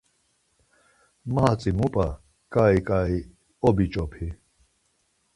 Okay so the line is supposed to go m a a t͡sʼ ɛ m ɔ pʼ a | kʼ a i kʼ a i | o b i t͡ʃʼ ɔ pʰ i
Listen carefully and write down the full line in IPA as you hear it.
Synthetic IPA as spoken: m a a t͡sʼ i m u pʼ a | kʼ a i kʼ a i | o b i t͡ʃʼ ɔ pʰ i